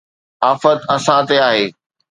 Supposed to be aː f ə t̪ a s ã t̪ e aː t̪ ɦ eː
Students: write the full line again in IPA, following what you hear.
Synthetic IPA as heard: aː f ə t̪ ɐ s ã t̪ e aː ɦ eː